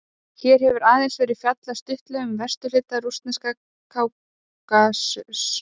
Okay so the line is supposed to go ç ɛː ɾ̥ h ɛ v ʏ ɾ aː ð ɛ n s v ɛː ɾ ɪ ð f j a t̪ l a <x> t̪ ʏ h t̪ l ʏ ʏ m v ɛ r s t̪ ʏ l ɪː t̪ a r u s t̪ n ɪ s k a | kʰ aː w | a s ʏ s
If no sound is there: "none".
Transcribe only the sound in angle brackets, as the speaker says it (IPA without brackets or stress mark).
s